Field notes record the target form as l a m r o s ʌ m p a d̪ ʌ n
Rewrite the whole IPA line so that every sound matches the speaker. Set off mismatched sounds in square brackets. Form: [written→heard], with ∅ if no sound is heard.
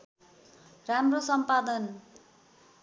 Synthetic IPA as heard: [l→r] a m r o s ʌ m p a d̪ ʌ n